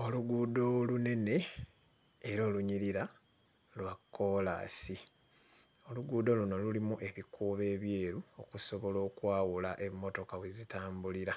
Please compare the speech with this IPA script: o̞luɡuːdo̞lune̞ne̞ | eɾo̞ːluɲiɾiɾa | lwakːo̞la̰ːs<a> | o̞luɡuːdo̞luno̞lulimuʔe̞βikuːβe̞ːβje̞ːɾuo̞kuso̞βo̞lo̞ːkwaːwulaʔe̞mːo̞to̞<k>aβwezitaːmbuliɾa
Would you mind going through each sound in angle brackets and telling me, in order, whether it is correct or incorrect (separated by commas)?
incorrect, correct